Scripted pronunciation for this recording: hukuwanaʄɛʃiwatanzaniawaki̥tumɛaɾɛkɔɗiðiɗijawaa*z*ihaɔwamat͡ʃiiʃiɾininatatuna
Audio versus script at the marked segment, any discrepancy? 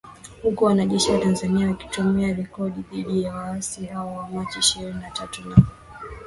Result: yes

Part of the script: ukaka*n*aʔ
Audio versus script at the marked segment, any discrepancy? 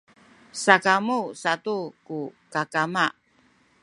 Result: yes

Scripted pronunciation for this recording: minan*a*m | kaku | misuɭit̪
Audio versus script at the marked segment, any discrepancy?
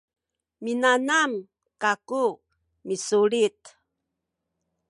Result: no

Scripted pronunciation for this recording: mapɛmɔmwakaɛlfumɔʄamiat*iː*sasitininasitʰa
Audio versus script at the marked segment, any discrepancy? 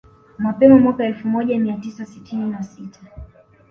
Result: yes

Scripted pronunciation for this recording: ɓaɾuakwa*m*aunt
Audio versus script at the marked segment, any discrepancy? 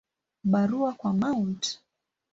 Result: no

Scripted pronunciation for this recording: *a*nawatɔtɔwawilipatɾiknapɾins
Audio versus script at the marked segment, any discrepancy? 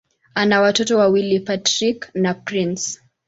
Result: no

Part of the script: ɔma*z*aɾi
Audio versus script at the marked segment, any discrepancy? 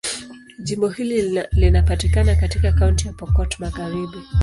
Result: yes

